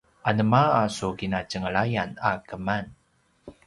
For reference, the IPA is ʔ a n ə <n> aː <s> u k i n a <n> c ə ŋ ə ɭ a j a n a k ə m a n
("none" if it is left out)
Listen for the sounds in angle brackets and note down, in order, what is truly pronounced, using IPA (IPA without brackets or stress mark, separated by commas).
m, s, none